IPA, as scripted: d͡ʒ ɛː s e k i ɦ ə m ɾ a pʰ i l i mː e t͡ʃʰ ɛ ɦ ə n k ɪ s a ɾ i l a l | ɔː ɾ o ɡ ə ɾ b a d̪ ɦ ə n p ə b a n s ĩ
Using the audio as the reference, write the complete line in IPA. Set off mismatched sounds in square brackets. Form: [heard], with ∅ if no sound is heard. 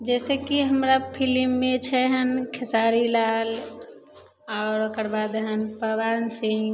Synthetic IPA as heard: d͡ʒ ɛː s e k i ɦ ə m ɾ a pʰ i l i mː e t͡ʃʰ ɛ ɦ ə n [kʰ] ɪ s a ɾ i l a l | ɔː ɾ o [k] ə ɾ b a d̪ ɦ ə n p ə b a n s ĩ